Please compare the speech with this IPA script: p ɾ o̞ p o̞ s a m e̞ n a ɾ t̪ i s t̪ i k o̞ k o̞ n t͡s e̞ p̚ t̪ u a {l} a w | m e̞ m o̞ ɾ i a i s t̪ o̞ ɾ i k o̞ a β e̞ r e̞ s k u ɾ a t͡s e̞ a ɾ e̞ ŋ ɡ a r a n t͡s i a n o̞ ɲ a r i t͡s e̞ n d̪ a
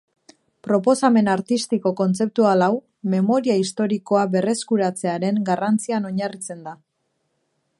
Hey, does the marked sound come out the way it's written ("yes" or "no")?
yes